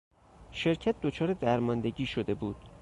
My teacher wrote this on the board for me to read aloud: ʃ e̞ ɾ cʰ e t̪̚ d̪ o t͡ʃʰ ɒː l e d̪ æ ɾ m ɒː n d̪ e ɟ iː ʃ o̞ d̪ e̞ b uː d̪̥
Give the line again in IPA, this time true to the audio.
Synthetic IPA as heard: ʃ e̞ ɾ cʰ æ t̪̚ d̪ o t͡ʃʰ ɒː ɾ e d̪ æ ɾ m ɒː n d̪ e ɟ iː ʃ o̞ d̪ e̞ b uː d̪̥